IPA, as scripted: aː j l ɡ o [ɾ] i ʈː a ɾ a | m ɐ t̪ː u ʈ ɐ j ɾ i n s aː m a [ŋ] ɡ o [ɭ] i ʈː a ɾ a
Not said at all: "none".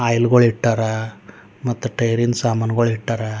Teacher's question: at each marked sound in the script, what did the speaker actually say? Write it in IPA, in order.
ɭ, n, ɭ

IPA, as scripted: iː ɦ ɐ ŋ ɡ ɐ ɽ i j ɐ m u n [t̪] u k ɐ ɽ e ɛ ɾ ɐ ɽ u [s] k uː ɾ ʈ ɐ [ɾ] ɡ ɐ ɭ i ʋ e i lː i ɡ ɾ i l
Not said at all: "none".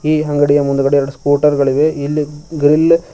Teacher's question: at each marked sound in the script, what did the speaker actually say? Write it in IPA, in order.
d̪, s, ɾ

